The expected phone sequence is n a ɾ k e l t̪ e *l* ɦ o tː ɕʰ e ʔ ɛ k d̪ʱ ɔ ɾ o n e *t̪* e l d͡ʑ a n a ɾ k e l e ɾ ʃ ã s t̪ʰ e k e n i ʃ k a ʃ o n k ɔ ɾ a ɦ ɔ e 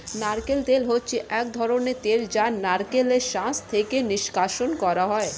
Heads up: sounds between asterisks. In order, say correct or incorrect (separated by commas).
correct, correct